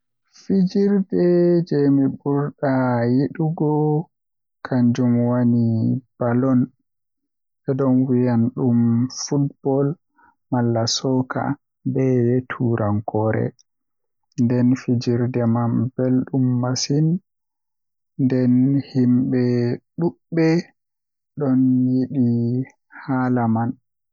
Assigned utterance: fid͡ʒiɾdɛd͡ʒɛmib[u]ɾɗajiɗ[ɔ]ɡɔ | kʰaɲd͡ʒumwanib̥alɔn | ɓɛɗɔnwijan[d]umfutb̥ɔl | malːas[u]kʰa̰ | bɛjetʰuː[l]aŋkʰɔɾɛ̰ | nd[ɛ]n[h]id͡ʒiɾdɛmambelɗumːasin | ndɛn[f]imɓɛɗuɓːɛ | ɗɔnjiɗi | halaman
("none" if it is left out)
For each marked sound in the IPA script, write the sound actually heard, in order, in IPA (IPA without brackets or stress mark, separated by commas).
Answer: u, u, ɗ, ɔ, ɾ, ɛ, f, h